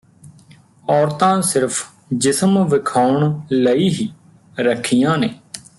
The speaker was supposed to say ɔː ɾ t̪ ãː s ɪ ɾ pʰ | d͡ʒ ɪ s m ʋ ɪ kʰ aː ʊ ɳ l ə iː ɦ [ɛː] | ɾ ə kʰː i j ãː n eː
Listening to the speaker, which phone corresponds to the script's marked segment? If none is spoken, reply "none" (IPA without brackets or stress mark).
iː